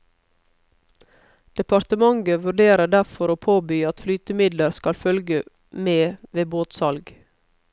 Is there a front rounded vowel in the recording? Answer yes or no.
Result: yes